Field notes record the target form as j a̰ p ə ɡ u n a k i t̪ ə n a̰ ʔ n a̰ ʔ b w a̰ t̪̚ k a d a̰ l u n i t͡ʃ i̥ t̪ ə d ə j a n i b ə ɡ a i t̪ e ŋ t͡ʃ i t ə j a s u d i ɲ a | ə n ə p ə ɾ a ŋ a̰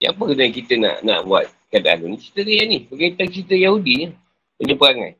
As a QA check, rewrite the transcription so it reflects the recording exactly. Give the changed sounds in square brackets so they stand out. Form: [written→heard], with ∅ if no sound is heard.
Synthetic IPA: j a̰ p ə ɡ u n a k i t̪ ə n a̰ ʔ n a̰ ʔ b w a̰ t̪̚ k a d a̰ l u n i t͡ʃ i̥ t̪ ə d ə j a n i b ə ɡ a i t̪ [e→a] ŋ t͡ʃ i t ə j a [s→h] u d i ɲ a | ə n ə p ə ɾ a ŋ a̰